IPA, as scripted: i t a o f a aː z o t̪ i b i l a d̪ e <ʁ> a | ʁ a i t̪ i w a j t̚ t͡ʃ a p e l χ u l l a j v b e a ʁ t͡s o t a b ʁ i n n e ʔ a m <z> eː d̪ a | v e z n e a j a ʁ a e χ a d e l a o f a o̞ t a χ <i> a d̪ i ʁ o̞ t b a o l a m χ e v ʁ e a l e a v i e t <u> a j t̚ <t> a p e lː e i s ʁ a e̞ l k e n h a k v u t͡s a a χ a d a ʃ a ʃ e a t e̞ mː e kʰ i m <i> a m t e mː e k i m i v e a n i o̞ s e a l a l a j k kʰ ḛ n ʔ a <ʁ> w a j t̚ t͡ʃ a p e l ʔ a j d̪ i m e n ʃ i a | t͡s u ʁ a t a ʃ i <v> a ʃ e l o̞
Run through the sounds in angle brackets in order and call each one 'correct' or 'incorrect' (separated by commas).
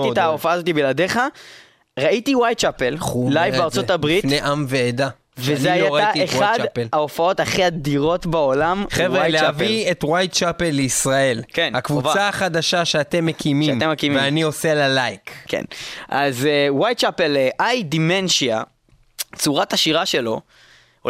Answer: incorrect, incorrect, correct, incorrect, incorrect, correct, incorrect, incorrect